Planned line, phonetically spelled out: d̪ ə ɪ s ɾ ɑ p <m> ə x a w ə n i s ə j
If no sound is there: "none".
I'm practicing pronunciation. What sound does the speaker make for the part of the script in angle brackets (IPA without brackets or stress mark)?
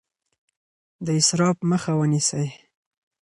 m